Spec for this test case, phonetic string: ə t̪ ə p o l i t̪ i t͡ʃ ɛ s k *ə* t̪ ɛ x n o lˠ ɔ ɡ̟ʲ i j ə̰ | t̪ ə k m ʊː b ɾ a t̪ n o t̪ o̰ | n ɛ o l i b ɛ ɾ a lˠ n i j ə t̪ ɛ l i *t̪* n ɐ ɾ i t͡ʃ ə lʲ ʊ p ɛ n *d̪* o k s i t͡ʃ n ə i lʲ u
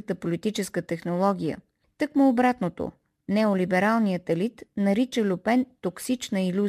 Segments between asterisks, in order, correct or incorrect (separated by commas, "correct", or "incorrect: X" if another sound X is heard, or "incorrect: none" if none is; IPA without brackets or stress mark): correct, correct, incorrect: t̪